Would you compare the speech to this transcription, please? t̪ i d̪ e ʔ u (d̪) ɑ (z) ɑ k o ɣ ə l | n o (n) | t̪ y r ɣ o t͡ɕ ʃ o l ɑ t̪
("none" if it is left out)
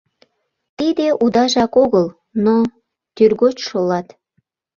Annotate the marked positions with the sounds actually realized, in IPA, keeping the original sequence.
d̪, ʒ, none

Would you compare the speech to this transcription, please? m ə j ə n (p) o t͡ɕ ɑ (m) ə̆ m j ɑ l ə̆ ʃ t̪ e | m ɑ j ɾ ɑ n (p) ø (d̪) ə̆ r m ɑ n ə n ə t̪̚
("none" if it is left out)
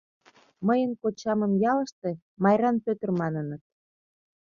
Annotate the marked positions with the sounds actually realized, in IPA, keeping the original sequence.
k, m, p, t̪

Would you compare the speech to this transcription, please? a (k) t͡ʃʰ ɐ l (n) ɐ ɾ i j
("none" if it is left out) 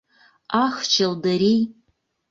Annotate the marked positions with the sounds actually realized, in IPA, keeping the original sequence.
x, d

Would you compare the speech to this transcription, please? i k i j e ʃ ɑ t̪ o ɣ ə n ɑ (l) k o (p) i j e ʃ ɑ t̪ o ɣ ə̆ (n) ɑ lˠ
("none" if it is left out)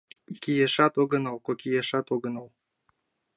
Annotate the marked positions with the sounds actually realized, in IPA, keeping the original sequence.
l, k, n

